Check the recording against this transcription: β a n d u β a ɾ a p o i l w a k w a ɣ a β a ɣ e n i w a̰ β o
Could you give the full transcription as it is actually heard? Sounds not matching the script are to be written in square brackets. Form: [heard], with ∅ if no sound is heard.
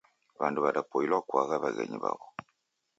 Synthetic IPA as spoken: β a n d u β a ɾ a p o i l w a k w a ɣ a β a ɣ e [ɲ] i [β] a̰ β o